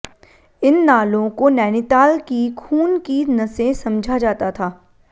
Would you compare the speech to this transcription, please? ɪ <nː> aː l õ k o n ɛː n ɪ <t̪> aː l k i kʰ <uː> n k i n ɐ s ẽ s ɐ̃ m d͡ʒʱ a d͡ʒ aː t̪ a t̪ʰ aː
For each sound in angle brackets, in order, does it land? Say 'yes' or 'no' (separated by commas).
yes, yes, yes